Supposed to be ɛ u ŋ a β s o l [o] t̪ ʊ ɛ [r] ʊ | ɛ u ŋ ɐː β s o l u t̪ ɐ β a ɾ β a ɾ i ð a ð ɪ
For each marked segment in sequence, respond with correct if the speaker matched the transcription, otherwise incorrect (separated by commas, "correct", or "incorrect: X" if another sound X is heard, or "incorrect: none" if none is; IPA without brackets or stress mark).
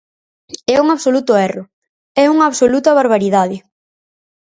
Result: incorrect: u, correct